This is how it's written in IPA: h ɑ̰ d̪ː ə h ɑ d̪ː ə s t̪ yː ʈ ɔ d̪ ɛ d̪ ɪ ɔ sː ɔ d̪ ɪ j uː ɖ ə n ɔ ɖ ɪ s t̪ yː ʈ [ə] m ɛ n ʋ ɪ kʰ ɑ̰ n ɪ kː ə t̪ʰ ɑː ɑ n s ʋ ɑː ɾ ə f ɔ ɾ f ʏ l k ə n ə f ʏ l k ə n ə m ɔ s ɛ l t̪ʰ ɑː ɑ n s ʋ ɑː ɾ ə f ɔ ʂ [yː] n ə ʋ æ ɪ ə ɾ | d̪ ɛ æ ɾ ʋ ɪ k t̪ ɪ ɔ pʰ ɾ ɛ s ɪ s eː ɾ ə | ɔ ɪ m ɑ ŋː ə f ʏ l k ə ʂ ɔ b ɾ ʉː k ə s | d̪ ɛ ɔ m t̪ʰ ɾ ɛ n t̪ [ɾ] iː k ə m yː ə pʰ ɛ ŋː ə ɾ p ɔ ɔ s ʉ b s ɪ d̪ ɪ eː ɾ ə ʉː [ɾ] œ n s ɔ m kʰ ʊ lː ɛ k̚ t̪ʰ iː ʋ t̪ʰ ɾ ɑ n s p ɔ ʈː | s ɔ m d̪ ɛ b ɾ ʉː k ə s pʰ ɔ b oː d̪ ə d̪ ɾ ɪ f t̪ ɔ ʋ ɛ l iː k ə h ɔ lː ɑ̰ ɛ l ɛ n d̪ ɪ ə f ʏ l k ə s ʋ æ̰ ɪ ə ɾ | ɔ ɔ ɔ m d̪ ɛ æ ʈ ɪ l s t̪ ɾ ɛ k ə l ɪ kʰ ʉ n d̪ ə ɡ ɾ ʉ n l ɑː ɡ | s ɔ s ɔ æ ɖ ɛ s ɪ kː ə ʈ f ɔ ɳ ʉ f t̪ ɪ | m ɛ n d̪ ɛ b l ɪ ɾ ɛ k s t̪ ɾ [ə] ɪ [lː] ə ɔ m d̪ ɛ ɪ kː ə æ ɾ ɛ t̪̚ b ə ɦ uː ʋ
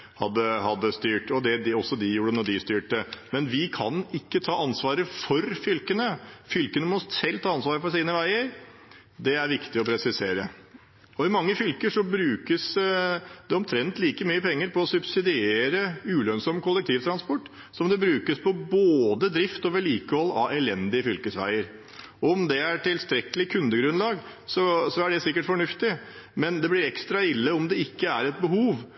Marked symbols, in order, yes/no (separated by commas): yes, no, no, no, no, yes